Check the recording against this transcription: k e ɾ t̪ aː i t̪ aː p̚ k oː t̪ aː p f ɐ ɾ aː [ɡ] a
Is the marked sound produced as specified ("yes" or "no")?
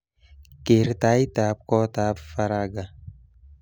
yes